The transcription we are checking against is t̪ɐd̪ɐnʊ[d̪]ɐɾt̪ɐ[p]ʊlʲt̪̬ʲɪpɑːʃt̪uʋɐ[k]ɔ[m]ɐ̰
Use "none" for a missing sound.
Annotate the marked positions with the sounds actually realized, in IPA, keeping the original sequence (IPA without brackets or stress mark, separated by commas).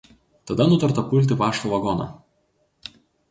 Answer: t̪, p, ɡ, n